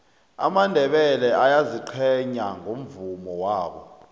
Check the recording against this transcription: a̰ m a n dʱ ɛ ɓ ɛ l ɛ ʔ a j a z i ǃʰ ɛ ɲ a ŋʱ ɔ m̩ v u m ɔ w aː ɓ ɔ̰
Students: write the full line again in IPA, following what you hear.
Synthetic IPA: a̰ m a n dʱ ɛ ɓ ɛ l ɛ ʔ a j a z i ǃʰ ɛ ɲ a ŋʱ o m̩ v u m ɔ w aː ɓ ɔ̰